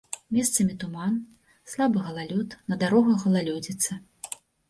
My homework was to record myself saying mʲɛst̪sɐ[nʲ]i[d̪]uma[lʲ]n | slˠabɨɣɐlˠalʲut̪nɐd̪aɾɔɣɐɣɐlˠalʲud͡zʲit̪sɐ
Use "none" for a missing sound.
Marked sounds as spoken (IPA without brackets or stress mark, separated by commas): mʲ, t̪, none